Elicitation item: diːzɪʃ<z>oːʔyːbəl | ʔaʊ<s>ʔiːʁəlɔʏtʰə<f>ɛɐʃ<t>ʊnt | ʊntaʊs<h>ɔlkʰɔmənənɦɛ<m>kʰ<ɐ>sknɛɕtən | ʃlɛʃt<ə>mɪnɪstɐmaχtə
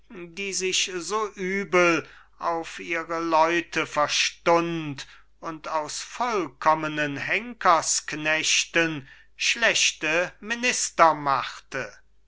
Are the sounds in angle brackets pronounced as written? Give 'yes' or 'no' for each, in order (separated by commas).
yes, no, yes, yes, no, no, yes, yes